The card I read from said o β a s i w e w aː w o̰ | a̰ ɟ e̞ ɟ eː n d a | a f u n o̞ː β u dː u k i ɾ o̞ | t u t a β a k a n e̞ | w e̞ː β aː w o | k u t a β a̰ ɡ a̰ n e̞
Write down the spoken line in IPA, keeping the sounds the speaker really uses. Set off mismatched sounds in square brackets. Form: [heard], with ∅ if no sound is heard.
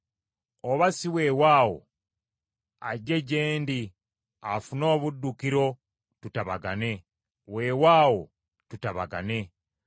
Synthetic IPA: o β a s i w e w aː w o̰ | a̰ ɟ e̞ ɟ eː n d [i] | a f u n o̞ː β u dː u k i ɾ o̞ | t u t a β a [ɡ] a n e̞ | w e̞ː [w] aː w o | [t] u t a β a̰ ɡ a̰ n e̞